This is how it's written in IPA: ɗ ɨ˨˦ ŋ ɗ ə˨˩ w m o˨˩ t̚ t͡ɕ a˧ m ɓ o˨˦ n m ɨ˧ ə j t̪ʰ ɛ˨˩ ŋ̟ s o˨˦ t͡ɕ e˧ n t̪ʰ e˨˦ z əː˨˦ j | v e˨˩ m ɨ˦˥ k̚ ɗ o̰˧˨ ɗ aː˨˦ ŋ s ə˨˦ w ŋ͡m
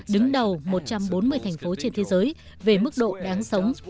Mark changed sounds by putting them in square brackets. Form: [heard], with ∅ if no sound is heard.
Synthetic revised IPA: ɗ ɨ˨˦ ŋ ɗ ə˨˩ w m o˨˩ t̚ t͡ɕ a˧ m ɓ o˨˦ n m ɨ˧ ə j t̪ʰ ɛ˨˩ ŋ̟ [f] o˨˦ t͡ɕ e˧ n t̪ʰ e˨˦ z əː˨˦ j | v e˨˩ m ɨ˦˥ k̚ ɗ o̰˧˨ ɗ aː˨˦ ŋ s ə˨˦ w ŋ͡m